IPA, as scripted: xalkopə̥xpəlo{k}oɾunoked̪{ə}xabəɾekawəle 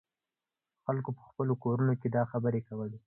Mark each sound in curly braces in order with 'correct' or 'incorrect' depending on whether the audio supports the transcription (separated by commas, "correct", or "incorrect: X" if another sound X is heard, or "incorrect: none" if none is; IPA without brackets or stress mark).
correct, incorrect: ɑ